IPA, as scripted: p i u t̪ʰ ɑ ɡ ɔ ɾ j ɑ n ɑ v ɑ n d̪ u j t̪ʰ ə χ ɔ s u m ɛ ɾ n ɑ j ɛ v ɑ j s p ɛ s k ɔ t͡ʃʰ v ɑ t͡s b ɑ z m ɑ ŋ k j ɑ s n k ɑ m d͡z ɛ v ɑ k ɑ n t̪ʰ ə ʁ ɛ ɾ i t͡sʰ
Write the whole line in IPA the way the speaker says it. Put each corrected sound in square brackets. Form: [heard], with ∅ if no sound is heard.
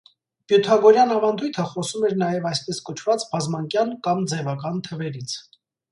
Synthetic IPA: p [j] u t̪ʰ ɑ ɡ ɔ ɾ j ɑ n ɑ v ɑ n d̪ u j t̪ʰ ə χ ɔ s u m ɛ ɾ n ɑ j ɛ v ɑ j s p ɛ s k ɔ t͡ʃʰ v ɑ t͡s b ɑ z m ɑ ŋ k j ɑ [∅] n k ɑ m d͡z ɛ v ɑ k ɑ n t̪ʰ ə [v] ɛ ɾ i t͡sʰ